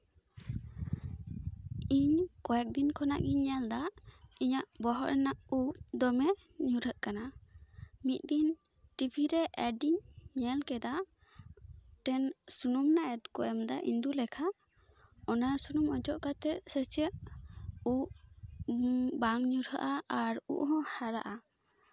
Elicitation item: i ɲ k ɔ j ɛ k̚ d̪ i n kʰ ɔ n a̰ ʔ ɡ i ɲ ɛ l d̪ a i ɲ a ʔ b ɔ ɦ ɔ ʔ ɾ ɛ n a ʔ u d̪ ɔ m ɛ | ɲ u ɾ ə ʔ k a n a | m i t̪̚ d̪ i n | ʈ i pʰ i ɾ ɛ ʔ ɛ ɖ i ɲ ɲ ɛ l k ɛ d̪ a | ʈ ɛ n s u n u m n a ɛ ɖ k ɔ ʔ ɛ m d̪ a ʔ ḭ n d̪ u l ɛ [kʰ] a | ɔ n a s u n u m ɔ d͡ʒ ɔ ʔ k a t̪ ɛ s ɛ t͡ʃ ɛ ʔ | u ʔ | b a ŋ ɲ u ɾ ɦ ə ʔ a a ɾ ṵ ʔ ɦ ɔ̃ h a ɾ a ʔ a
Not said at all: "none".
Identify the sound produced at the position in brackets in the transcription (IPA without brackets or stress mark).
kʰ